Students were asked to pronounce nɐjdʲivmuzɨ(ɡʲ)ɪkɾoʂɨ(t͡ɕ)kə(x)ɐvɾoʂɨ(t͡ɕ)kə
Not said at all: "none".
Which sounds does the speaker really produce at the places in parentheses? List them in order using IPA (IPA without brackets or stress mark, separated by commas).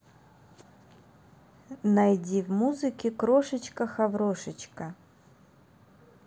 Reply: kʲ, t͡ɕ, x, t͡ɕ